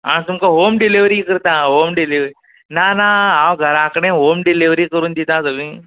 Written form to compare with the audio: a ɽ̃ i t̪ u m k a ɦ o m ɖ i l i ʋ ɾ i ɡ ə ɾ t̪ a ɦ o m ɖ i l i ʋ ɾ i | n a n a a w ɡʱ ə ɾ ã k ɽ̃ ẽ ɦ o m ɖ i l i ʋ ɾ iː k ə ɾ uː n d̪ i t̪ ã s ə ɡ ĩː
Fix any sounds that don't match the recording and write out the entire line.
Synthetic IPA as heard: a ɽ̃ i t̪ u m k a ɦ o m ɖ i l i ʋ ɾ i k ə ɾ t̪ a ɦ o m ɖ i l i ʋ ɾ i | n a n a a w ɡʱ ə ɾ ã k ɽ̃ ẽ ɦ o m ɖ i l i ʋ ɾ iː k ə ɾ uː n d̪ i t̪ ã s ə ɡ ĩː